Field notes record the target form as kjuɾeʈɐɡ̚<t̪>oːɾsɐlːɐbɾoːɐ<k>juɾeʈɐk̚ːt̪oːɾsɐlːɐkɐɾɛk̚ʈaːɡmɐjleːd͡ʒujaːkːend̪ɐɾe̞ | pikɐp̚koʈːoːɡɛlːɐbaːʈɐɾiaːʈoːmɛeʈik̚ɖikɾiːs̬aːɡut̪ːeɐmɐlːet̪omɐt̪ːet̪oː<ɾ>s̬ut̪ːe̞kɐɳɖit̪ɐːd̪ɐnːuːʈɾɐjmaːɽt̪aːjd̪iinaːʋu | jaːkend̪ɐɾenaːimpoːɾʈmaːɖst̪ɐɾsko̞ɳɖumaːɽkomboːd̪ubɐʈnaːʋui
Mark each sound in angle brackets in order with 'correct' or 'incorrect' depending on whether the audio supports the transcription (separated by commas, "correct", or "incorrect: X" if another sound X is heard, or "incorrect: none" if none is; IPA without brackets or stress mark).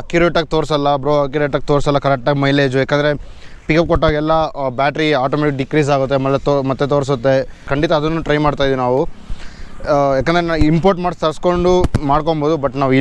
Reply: correct, correct, correct